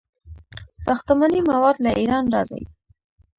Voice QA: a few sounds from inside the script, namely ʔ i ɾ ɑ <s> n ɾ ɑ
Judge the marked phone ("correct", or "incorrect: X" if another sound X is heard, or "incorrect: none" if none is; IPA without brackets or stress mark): incorrect: none